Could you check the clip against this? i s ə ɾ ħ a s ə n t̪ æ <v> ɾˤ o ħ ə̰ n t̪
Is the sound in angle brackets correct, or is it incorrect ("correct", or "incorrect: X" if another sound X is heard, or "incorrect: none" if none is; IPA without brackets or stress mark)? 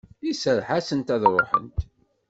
incorrect: ð